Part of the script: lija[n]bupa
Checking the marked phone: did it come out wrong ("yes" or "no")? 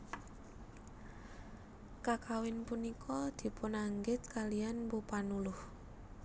no